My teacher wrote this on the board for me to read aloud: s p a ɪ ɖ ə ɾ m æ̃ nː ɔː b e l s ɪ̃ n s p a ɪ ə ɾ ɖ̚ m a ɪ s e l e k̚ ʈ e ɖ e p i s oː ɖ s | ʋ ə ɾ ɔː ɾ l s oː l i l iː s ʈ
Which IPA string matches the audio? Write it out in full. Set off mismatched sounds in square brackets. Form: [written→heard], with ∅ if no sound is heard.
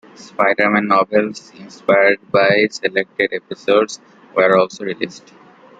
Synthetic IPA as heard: s p a ɪ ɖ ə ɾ m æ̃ nː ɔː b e l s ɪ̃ n s p a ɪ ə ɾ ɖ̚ [m→b] a ɪ s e l e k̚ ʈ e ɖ e p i s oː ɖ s | ʋ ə ɾ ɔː [ɾ→∅] l s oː [l→ɾ] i l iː s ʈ